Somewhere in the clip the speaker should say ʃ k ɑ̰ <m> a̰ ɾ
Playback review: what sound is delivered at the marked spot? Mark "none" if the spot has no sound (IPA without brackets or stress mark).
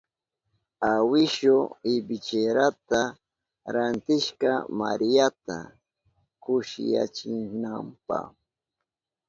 m